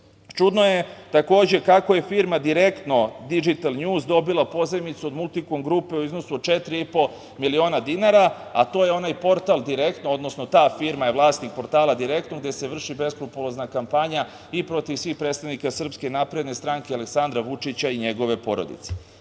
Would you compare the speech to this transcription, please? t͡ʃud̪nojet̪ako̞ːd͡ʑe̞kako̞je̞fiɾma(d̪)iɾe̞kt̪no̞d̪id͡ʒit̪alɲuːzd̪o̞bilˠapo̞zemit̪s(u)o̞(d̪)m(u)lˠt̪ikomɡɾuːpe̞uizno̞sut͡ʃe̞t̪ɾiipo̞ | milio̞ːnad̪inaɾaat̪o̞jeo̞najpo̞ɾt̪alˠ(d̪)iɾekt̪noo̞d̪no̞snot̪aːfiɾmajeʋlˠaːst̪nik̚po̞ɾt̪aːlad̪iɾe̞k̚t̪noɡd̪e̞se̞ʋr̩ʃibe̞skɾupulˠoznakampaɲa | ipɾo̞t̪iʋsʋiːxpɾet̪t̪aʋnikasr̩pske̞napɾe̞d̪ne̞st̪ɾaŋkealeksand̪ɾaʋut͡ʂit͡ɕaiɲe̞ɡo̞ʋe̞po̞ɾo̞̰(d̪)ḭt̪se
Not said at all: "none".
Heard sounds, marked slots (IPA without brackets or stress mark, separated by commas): d̪, u, d̪, u, d̪, d̪